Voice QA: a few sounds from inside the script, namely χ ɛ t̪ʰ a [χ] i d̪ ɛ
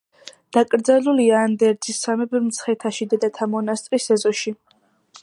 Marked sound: incorrect: ʃ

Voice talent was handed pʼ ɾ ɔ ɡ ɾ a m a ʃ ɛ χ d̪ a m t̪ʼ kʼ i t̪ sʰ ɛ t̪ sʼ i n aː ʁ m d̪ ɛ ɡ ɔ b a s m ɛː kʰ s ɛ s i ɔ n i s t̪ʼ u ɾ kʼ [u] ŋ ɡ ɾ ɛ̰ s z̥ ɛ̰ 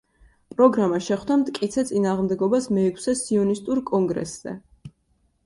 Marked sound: incorrect: ɔ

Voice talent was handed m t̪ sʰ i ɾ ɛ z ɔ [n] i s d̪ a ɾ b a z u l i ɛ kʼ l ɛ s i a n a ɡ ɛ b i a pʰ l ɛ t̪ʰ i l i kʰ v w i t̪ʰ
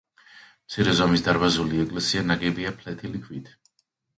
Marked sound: incorrect: m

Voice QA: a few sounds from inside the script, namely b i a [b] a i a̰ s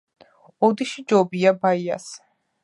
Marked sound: correct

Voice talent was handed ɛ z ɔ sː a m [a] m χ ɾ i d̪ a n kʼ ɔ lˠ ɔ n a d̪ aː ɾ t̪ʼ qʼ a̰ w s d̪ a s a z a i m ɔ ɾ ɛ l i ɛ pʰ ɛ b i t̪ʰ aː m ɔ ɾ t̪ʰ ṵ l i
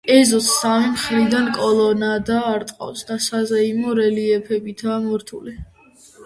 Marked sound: incorrect: i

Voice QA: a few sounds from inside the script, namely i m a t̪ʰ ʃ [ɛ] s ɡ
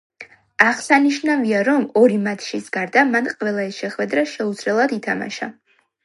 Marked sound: incorrect: i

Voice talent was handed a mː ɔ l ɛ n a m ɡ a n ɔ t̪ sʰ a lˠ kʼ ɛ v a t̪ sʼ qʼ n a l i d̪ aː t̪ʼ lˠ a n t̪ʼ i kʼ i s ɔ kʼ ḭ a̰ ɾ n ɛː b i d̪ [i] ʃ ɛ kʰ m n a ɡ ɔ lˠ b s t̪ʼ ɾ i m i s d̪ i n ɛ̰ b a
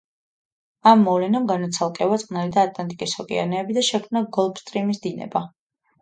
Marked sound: incorrect: a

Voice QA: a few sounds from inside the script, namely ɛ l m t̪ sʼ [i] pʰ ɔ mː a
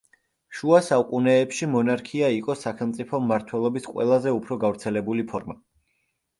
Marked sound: correct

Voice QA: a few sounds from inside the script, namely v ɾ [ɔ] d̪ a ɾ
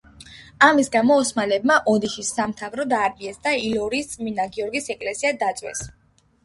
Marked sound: correct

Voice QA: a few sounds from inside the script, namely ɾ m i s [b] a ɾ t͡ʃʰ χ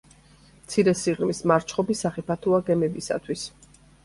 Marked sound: incorrect: m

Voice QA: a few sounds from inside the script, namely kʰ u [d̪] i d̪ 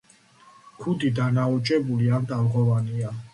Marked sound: correct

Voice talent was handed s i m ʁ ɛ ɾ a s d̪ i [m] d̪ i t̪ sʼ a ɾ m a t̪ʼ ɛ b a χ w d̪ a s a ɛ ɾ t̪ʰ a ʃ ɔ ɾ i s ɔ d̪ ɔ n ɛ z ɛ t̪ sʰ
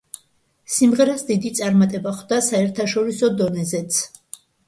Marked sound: incorrect: none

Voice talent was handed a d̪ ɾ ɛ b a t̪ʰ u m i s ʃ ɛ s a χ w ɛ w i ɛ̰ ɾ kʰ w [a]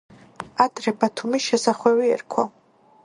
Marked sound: correct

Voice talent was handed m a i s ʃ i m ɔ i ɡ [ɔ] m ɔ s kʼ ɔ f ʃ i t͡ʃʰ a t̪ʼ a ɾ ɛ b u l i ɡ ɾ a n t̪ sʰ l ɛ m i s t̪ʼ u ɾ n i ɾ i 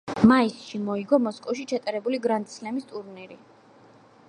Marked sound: correct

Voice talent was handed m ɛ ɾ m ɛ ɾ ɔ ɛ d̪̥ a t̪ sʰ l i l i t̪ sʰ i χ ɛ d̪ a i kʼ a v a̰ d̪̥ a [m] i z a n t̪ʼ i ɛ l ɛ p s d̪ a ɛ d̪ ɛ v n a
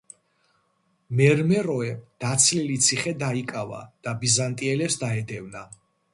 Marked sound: incorrect: b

